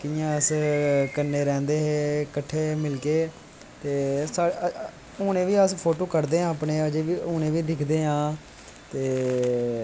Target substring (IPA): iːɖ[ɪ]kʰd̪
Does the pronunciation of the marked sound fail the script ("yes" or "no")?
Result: no